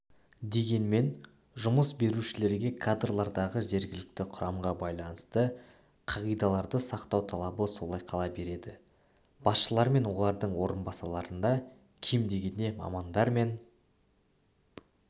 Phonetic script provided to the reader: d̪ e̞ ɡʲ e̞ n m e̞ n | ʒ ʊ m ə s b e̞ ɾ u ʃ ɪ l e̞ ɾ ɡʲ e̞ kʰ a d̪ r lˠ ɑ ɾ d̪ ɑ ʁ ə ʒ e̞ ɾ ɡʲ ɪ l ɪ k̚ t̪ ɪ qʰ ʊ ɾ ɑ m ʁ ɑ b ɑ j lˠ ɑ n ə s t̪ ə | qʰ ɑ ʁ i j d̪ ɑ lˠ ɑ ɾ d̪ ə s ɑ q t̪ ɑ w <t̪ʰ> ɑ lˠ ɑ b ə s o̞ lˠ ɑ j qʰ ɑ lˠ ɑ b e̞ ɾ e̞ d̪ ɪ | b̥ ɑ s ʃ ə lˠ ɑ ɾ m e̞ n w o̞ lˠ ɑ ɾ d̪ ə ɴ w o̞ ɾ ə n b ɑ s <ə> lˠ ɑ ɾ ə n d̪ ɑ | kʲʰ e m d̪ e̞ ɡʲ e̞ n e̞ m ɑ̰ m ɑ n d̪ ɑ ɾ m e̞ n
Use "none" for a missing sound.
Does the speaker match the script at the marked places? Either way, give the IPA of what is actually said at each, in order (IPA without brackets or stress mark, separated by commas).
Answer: t̪ʰ, ɑ